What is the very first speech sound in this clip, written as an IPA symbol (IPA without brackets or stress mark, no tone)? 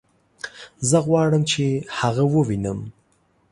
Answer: z